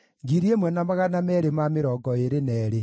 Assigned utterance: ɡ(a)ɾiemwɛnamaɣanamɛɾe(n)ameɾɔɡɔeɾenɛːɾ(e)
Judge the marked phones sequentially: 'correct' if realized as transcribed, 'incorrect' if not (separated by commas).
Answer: incorrect, incorrect, correct